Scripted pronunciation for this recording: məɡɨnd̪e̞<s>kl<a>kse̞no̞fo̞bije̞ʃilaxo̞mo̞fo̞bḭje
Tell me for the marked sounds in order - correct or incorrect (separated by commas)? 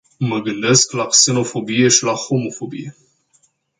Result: correct, correct